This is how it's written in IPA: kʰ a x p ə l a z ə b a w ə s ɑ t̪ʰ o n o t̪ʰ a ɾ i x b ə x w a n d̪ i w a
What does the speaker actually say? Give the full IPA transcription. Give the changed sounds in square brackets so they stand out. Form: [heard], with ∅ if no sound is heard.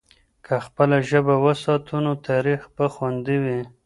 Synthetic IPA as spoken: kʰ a x p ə l a [ʒ] ə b a w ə s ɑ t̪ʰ [u] n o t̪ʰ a ɾ i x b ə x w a n d̪ i w [i]